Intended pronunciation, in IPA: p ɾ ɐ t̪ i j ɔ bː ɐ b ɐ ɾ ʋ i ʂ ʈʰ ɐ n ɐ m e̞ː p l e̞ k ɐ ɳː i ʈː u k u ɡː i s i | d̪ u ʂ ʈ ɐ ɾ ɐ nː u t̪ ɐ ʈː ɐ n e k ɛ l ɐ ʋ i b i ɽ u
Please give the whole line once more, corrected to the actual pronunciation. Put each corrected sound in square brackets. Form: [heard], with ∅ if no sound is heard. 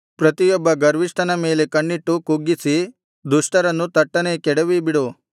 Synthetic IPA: p ɾ ɐ t̪ i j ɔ bː ɐ [ɡ] ɐ ɾ ʋ i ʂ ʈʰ ɐ n ɐ m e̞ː [∅] l e̞ k ɐ ɳː i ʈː u k u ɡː i s i | d̪ u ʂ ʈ ɐ ɾ ɐ nː u t̪ ɐ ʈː ɐ n e k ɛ [ɽ] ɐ ʋ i b i ɽ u

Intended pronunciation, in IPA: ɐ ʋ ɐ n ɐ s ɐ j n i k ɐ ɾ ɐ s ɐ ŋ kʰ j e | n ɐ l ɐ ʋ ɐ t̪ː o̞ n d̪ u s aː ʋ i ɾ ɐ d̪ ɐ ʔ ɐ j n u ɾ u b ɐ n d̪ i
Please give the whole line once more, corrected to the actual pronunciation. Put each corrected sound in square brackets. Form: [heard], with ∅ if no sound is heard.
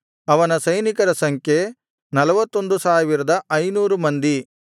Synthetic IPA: ɐ ʋ ɐ n ɐ s ɐ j n i k ɐ ɾ ɐ s ɐ ŋ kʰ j e | n ɐ l ɐ ʋ ɐ t̪ː o̞ n d̪ u s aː ʋ i ɾ ɐ d̪ ɐ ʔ ɐ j n [uː] ɾ u [m] ɐ n d̪ i

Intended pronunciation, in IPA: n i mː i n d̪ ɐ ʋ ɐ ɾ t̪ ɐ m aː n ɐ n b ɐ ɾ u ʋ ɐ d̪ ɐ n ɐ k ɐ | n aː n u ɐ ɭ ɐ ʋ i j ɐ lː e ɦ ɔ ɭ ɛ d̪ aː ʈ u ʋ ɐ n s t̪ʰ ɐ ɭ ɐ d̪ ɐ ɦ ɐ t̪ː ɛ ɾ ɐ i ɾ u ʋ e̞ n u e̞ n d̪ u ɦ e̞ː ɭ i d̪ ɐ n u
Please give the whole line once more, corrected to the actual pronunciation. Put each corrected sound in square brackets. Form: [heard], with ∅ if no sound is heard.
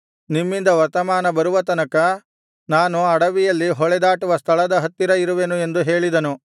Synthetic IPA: n i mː i n d̪ ɐ ʋ ɐ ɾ t̪ ɐ m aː n ɐ [∅] b ɐ ɾ u ʋ ɐ [t̪] ɐ n ɐ k ɐ | n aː n u ɐ [ɽ] ɐ ʋ i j ɐ lː [i] ɦ ɔ ɭ ɛ d̪ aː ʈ u ʋ ɐ [∅] s t̪ʰ ɐ ɭ ɐ d̪ ɐ ɦ ɐ t̪ː [i] ɾ ɐ i ɾ u ʋ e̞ n u e̞ n d̪ u ɦ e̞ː ɭ i d̪ ɐ n u

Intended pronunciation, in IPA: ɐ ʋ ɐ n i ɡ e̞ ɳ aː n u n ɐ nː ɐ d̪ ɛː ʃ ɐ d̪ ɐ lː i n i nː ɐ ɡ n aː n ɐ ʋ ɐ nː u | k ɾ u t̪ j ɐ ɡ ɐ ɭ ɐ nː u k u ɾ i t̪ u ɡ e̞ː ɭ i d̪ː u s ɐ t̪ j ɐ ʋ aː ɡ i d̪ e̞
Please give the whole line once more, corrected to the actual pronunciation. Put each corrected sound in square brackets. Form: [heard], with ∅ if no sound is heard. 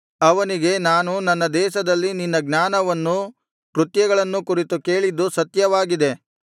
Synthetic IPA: ɐ ʋ ɐ n i ɡ e̞ [n] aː n u n ɐ nː ɐ d̪ ɛː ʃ ɐ d̪ ɐ lː i n i nː ɐ ɡ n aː n ɐ ʋ ɐ nː u | k ɾ u t̪ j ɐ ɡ ɐ ɭ ɐ nː u k u ɾ i t̪ u [k] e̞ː ɭ i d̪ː u s ɐ t̪ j ɐ ʋ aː ɡ i d̪ e̞

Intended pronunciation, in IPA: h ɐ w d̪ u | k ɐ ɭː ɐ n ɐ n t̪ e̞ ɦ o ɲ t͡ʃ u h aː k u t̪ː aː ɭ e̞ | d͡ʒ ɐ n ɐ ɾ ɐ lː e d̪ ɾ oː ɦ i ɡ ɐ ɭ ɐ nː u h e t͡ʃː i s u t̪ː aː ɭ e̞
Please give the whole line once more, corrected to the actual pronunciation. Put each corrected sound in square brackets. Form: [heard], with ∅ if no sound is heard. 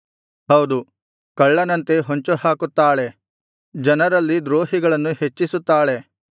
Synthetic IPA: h ɐ w d̪ u | k ɐ ɭː ɐ n ɐ n t̪ e̞ ɦ o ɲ t͡ʃ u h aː k u t̪ː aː ɭ e̞ | d͡ʒ ɐ n ɐ ɾ ɐ lː [i] d̪ ɾ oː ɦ i ɡ ɐ ɭ ɐ nː u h e t͡ʃː i s u t̪ː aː ɭ e̞

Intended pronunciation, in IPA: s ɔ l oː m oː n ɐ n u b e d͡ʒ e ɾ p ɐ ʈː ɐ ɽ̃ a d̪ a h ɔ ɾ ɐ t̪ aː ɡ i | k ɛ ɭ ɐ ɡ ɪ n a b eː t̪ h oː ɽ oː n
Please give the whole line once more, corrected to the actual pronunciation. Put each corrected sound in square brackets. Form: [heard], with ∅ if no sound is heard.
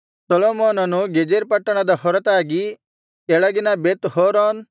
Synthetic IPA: s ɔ l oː m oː n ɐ n u [ɡ] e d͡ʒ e ɾ p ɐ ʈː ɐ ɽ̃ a d̪ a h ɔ ɾ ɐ t̪ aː ɡ i | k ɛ ɭ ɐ ɡ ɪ n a b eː t̪ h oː [ɾ] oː n

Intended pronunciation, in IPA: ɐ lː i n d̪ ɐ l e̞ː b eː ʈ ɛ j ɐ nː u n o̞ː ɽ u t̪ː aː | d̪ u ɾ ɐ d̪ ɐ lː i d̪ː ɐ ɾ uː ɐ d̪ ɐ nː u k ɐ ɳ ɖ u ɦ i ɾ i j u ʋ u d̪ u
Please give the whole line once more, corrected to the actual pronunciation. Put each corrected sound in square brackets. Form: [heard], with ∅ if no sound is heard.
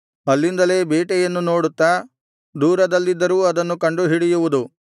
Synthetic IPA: ɐ lː i n d̪ ɐ l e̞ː b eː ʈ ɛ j ɐ nː u n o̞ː ɽ u t̪ː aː | d̪ [uː] ɾ ɐ d̪ ɐ lː i d̪ː ɐ ɾ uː ɐ d̪ ɐ nː u k ɐ ɳ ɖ u ɦ i [ɽ] i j u ʋ u d̪ u

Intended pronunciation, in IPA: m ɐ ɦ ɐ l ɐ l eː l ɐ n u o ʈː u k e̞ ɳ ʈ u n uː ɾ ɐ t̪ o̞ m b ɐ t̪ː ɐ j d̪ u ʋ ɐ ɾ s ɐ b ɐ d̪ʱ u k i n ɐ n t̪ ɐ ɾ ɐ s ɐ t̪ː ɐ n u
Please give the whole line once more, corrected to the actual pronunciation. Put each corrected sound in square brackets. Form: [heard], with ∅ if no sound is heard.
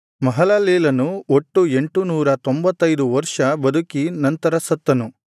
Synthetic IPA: m ɐ ɦ ɐ l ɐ l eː l ɐ n u o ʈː u [∅] e̞ ɳ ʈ u n uː ɾ ɐ t̪ o̞ m b ɐ t̪ː ɐ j d̪ u ʋ ɐ ɾ [ʂ] ɐ b ɐ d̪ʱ u k i n ɐ n t̪ ɐ ɾ ɐ s ɐ t̪ː ɐ n u

